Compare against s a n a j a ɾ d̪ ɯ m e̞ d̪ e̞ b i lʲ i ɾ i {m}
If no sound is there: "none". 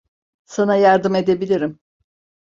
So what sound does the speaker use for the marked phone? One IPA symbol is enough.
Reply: m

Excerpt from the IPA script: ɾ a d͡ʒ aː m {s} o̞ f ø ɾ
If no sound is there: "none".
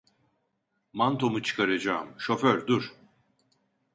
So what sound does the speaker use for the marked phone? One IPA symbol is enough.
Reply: ʃ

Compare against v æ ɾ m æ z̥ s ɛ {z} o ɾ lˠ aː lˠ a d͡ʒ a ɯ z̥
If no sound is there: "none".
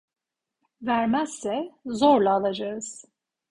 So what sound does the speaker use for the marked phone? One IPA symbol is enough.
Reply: z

